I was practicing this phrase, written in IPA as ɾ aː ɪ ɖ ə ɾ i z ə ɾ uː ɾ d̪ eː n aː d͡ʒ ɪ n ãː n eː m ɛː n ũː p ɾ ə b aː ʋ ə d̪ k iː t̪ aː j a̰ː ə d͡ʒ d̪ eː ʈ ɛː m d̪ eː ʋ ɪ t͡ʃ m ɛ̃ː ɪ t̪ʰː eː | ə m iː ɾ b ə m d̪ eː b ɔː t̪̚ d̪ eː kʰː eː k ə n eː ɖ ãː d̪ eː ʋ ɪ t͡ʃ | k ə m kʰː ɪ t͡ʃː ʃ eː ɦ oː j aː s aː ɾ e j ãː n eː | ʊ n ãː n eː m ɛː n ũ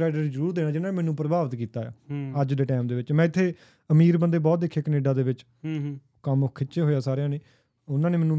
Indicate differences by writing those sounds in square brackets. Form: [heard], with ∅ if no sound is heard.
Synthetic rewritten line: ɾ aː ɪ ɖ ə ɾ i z ə ɾ uː ɾ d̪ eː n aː d͡ʒ ɪ n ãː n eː m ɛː n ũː p ɾ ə b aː ʋ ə [t̪] k iː t̪ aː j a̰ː ə d͡ʒ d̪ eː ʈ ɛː m d̪ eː ʋ ɪ t͡ʃ m ɛ̃ː ɪ t̪ʰː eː | ə m iː ɾ b ə [n] d̪ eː b ɔː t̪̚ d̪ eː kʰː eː k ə n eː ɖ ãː d̪ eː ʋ ɪ t͡ʃ | k ə m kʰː ɪ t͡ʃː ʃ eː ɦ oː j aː s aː ɾ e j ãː n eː | ʊ n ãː n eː m ɛː n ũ